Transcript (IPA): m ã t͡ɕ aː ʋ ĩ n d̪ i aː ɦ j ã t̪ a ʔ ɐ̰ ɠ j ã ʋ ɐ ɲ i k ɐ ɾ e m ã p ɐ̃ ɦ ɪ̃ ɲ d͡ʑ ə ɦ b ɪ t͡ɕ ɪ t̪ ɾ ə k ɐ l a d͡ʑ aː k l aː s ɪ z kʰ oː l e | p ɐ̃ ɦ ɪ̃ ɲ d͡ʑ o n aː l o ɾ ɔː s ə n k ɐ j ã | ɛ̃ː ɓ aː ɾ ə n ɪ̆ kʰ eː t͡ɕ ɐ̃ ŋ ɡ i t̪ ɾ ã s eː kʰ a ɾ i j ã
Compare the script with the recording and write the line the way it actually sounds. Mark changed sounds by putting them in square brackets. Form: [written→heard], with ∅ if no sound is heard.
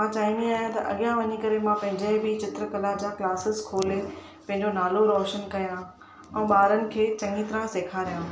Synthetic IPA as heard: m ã t͡ɕ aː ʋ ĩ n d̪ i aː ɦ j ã t̪ [a→ɐ] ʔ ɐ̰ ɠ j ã ʋ ɐ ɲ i k ɐ ɾ e m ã p ɐ̃ ɦ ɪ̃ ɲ d͡ʑ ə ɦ b ɪ t͡ɕ ɪ t̪ ɾ ə k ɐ l a d͡ʑ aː k l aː s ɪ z kʰ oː l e | p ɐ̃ ɦ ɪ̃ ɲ d͡ʑ o n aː l o ɾ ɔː [s→ʃ] ə n k ɐ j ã | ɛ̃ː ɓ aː ɾ ə n ɪ̆ kʰ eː t͡ɕ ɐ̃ ŋ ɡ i t̪ ɾ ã s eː kʰ a ɾ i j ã

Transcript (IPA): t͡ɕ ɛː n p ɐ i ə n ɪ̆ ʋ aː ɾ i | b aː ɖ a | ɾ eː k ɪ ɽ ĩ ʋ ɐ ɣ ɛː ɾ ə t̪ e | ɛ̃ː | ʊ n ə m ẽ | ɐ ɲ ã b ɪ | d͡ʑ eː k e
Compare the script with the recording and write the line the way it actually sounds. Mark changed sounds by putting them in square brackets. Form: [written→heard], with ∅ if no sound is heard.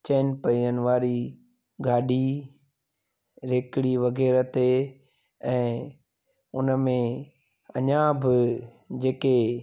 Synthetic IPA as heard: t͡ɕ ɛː n p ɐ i ə n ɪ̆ ʋ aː ɾ i | [b→ɡ] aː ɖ [a→i] | ɾ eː k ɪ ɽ [ĩ→i] ʋ ɐ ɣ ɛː ɾ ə t̪ e | ɛ̃ː | ʊ n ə m ẽ | ɐ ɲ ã b ɪ | d͡ʑ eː k e

